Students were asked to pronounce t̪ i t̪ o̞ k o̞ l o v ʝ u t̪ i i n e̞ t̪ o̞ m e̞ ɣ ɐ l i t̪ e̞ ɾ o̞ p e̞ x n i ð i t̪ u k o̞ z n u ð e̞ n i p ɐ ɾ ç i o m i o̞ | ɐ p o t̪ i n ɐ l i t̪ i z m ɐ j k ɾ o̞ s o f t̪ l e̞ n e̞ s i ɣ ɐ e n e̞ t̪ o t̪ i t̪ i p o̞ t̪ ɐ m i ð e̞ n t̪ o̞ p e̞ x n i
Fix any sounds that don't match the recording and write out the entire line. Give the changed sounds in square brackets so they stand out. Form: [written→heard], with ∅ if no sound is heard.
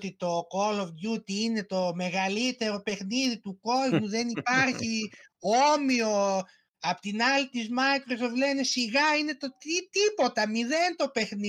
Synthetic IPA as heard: t̪ i t̪ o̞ k o̞ l o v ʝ u t̪ i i n e̞ t̪ o̞ m e̞ ɣ ɐ l i t̪ e̞ ɾ o̞ p e̞ x n i ð i t̪ u k o̞ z [n→m] u ð e̞ n i p ɐ ɾ ç i o m i o̞ | ɐ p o t̪ i n ɐ l i t̪ i z m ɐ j k ɾ o̞ s o f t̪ l e̞ n e̞ s i ɣ ɐ [e→i] n e̞ t̪ o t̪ i t̪ i p o̞ t̪ ɐ m i ð e̞ n t̪ o̞ p e̞ x n i